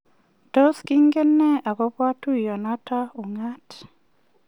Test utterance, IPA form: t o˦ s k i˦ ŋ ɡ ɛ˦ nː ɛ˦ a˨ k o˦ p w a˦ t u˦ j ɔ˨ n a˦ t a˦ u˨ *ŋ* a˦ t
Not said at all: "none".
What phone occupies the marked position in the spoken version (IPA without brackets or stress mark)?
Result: ŋ